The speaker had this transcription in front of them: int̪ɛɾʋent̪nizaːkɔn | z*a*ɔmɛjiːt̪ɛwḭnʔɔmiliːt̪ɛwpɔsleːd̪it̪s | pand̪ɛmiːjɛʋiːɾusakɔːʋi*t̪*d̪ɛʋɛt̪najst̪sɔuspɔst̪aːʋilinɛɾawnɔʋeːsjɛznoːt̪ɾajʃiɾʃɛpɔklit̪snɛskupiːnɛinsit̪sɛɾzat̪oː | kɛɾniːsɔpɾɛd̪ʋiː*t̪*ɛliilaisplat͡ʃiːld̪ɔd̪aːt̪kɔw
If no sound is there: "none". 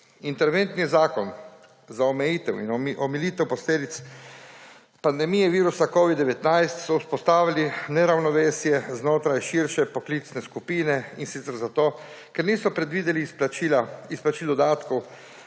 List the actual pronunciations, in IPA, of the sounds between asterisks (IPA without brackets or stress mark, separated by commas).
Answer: a, d̪, d̪